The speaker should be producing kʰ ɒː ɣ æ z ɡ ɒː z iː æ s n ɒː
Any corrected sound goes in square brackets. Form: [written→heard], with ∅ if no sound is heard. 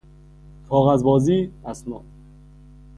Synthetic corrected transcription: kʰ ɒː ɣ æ z [ɡ→b] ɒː z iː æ s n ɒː